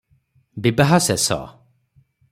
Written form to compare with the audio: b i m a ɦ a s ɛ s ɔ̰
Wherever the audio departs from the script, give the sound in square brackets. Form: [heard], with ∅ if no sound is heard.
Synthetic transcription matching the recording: b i [b] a ɦ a s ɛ s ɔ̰